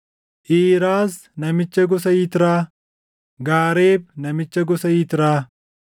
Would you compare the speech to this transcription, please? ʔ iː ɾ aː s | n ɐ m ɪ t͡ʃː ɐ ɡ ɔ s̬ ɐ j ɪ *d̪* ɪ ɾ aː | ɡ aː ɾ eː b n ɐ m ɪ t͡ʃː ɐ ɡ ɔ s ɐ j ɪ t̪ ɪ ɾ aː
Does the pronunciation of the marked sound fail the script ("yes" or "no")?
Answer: yes